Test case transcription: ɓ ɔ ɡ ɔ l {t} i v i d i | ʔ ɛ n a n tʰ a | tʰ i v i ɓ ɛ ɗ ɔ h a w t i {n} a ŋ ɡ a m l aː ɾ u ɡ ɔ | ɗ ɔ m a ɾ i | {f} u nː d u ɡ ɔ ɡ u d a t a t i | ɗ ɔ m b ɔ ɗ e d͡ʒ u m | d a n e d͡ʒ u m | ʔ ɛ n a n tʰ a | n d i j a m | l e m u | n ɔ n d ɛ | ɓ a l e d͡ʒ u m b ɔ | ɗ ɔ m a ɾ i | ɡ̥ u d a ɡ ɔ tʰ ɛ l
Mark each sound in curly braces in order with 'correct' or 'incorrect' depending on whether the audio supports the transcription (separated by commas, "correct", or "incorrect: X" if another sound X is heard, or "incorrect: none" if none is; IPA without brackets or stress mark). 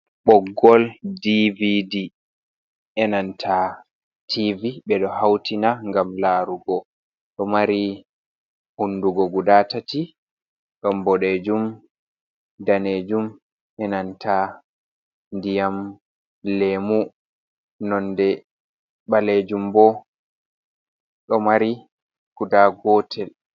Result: incorrect: d, correct, incorrect: h